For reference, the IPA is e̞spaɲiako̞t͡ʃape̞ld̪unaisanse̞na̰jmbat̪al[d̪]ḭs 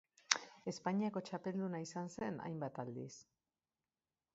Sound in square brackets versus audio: correct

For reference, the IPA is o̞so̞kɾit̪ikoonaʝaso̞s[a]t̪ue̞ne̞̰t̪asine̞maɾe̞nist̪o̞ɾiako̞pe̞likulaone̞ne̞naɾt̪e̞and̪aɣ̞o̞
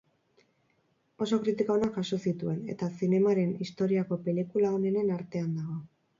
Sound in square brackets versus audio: incorrect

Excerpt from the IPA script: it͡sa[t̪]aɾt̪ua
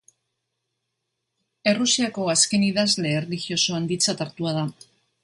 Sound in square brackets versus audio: correct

